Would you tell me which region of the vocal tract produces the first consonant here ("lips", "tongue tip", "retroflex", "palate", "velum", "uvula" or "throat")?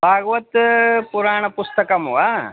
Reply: lips